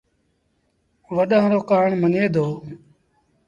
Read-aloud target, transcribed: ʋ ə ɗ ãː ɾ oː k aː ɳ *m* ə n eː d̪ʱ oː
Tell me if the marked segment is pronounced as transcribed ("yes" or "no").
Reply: yes